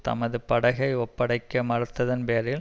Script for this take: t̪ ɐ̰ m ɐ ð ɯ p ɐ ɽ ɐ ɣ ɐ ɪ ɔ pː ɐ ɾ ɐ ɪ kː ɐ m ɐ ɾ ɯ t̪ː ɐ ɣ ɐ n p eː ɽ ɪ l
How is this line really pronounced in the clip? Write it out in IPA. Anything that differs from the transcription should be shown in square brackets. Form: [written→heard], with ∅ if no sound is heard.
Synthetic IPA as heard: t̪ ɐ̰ m ɐ ð ɯ p ɐ ɽ ɐ ɣ ɐ ɪ ɔ pː ɐ [ɾ→ɽ] ɐ ɪ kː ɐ m ɐ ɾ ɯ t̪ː ɐ [ɣ→ð] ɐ n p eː [ɽ→ɾ] ɪ l